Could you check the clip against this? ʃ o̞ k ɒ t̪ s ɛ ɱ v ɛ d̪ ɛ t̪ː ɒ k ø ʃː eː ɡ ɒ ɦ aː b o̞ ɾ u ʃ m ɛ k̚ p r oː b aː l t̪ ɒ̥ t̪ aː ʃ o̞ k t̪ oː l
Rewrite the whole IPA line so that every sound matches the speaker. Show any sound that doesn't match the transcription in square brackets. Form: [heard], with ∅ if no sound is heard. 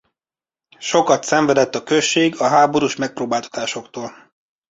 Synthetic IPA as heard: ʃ o̞ k ɒ t̪ s ɛ ɱ v ɛ d̪ ɛ t̪ː ɒ k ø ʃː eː ɡ ɒ ɦ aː b o̞ ɾ u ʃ m ɛ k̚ p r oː b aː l t̪ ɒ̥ t̪ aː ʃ o̞ k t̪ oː l